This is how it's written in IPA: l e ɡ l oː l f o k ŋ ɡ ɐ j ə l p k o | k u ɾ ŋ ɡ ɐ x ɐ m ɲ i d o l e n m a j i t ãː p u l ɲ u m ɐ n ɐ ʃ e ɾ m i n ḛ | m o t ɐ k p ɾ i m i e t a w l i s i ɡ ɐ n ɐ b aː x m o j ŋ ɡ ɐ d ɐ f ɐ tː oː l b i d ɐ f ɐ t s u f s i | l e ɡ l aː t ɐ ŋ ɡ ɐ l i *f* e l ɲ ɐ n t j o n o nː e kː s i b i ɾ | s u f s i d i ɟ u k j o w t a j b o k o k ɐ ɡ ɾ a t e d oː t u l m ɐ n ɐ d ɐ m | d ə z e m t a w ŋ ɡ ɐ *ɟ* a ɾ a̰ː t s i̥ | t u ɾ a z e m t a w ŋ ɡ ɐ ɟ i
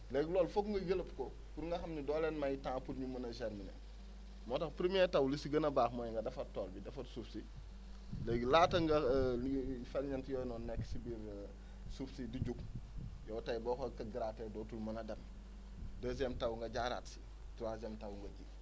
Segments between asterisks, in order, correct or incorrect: correct, correct

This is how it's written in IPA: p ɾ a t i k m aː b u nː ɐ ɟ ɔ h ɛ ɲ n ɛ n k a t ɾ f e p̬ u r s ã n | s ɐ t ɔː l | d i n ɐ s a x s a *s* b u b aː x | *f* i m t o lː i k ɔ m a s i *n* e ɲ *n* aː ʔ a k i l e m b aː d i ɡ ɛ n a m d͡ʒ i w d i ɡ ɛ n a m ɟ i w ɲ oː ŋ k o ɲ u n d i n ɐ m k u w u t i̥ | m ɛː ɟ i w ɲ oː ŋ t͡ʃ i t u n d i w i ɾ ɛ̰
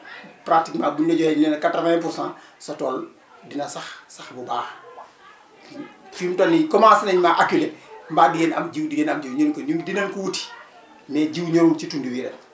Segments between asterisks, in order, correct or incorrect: incorrect: x, correct, correct, incorrect: m

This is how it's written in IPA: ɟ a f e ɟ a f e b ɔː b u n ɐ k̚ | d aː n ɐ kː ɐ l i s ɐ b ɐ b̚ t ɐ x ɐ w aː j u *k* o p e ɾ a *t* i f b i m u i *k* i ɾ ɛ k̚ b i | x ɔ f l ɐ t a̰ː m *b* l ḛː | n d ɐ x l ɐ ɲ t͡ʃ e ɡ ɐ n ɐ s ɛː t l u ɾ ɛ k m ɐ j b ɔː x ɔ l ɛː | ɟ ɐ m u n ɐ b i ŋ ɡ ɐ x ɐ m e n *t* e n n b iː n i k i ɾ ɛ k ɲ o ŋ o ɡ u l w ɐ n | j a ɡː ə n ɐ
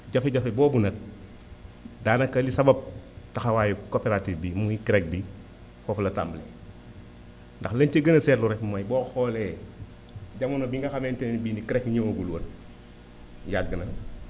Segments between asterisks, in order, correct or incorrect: correct, correct, correct, correct, correct

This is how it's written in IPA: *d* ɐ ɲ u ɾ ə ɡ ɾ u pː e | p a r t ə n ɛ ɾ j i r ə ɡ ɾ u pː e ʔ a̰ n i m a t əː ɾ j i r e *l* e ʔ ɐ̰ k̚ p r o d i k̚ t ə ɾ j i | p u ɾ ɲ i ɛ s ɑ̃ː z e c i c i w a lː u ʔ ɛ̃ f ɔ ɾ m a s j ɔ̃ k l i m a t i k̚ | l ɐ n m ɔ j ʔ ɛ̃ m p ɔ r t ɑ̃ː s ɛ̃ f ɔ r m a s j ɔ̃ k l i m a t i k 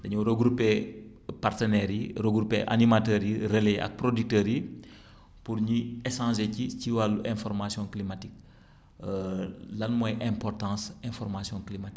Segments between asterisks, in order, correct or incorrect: correct, correct

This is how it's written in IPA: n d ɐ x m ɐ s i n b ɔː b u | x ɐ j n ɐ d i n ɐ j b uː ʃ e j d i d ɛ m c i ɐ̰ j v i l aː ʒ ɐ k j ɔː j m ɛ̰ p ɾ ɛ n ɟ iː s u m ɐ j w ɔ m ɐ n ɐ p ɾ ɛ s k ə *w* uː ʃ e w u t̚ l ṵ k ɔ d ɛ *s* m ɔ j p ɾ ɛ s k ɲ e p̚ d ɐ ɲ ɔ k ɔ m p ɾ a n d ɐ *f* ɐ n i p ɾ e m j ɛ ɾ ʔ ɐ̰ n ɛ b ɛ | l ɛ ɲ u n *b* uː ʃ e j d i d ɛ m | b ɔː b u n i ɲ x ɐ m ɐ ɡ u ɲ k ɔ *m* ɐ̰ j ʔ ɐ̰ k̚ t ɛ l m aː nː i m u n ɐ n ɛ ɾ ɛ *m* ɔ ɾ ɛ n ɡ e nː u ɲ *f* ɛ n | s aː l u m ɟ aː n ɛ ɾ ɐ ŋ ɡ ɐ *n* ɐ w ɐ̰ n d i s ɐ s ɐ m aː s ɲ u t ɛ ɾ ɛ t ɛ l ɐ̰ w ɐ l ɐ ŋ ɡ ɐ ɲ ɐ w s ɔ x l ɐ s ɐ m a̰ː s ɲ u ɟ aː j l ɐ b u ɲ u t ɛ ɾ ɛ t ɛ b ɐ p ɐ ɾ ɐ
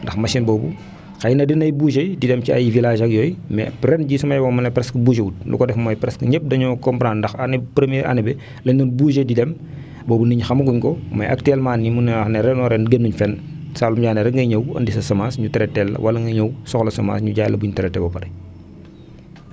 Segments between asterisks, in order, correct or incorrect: incorrect: b, incorrect: f, incorrect: x, correct, correct, incorrect: n, correct, incorrect: ɲ

